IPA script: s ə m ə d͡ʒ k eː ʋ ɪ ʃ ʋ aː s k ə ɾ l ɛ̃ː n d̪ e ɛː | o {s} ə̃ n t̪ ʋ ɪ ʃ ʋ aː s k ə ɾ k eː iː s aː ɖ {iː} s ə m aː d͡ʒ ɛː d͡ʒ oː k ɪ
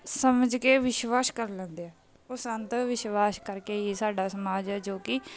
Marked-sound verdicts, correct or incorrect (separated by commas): correct, incorrect